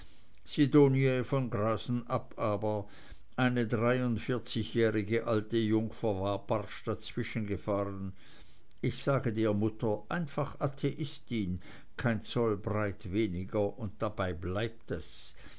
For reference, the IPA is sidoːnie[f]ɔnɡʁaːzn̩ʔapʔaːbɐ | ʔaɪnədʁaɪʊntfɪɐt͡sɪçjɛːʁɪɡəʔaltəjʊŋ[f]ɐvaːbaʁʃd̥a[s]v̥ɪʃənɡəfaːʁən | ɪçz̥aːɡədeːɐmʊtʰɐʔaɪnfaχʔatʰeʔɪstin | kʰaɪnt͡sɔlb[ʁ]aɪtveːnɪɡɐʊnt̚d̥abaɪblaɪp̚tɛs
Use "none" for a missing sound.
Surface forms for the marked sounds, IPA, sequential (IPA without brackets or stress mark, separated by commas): f, f, t͡s, ʁ